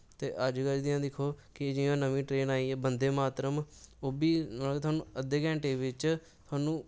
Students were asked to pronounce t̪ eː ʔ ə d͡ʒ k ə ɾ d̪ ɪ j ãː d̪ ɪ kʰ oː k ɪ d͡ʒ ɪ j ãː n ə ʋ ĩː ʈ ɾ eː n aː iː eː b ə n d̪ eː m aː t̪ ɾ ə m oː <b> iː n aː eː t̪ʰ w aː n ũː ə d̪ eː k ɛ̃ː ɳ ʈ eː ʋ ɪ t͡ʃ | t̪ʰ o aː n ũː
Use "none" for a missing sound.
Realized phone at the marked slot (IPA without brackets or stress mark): b